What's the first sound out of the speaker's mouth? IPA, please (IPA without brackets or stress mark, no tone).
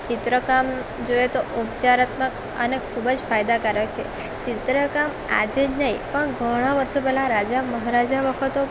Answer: t͡ʃ